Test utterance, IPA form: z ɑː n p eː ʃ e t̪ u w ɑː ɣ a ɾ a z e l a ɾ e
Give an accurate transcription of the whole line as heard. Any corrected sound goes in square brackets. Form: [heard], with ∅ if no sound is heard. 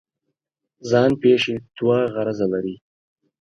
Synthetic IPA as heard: z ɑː n p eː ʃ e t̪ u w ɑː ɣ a ɾ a z [a] l a ɾ [i]